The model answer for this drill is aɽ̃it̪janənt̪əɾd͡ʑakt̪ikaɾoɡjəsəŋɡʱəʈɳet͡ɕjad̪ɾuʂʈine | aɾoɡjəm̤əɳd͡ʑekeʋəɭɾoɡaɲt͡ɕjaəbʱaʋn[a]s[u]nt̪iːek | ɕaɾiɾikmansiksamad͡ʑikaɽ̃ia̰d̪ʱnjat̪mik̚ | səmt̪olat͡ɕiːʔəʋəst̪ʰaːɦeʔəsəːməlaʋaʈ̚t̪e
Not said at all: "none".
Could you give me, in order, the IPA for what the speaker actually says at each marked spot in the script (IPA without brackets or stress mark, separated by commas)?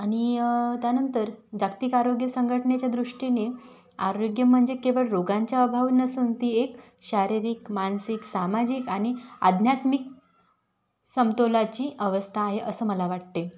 ə, uː